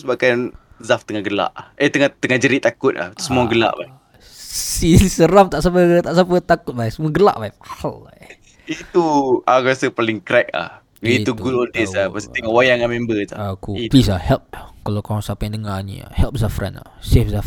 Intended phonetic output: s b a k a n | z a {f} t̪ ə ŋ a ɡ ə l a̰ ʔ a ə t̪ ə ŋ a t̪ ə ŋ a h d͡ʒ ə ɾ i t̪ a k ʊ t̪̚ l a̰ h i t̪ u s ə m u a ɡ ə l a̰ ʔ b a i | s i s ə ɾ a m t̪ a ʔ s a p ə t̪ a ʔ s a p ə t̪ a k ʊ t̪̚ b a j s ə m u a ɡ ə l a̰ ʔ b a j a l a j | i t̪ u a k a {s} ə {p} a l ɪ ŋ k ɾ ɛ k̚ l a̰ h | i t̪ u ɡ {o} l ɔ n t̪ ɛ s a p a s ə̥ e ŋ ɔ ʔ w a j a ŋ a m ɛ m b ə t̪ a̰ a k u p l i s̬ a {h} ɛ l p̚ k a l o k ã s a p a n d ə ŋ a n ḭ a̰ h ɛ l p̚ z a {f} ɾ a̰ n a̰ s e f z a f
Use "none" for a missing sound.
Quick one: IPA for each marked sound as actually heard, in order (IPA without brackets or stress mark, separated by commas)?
f, s, p, u, h, f